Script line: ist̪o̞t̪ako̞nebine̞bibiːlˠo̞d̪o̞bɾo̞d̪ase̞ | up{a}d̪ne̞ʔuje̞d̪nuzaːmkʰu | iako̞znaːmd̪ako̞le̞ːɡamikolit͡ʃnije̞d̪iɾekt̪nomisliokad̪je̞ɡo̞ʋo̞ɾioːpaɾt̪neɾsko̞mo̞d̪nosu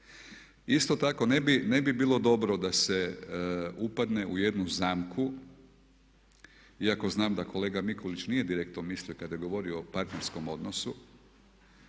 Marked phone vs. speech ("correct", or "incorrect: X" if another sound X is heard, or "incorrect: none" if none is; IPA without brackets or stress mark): correct